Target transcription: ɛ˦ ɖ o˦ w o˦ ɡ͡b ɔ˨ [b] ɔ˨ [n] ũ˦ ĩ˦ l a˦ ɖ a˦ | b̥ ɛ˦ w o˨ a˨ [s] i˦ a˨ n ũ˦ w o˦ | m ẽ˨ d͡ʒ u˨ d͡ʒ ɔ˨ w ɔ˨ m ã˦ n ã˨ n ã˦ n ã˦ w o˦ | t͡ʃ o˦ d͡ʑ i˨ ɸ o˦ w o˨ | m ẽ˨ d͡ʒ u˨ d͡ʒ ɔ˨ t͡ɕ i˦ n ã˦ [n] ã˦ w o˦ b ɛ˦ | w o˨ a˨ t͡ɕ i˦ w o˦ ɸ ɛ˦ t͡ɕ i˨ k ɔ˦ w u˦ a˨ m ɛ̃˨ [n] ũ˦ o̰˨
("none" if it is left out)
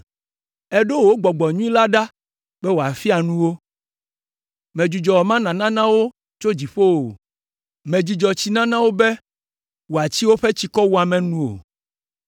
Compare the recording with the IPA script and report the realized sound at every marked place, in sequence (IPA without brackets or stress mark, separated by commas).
ɡ͡b, ɲ, f, n, n